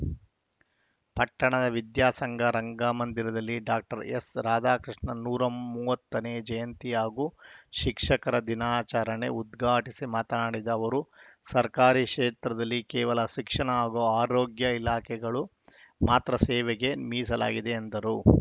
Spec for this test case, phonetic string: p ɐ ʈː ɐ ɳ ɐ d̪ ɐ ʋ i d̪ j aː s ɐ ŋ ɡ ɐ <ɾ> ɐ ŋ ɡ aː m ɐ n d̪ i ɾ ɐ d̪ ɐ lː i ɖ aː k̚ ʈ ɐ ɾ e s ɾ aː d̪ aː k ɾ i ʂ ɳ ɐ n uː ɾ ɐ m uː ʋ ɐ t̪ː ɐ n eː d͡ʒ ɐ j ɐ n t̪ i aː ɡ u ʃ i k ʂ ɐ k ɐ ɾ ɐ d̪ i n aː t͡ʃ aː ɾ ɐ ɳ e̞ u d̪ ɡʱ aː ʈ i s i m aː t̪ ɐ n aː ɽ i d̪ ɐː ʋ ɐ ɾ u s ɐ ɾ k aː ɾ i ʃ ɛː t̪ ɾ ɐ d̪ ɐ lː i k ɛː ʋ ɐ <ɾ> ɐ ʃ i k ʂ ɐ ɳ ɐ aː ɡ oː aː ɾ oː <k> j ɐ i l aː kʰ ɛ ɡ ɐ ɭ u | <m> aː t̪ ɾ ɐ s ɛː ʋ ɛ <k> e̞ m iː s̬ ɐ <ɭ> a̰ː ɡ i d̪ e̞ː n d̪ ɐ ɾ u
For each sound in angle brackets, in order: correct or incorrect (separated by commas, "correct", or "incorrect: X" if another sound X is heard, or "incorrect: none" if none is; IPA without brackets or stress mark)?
correct, incorrect: l, incorrect: ɡ, correct, incorrect: ɡ, incorrect: l